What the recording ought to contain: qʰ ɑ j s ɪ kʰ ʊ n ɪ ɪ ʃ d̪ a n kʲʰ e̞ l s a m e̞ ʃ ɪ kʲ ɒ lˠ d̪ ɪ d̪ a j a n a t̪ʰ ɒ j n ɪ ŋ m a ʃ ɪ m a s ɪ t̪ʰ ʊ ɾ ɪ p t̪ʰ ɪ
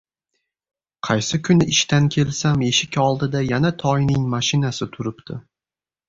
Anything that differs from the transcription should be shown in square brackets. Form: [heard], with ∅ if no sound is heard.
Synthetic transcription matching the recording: qʰ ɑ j s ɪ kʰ ʊ n ɪ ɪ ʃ [t̪] a n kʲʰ e̞ l s a m e̞ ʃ ɪ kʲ ɒ lˠ d̪ ɪ d̪ a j a n a t̪ʰ ɒ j n ɪ ŋ m a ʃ ɪ [n] a s ɪ t̪ʰ ʊ ɾ ɪ p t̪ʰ ɪ